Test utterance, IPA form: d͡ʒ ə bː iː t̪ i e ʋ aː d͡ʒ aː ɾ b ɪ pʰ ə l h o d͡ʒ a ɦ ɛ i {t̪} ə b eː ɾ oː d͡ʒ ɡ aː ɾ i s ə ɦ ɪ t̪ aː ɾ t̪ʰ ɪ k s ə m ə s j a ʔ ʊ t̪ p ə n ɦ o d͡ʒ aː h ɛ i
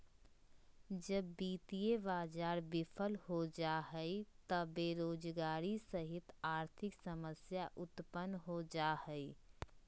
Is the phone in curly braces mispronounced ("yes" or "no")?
no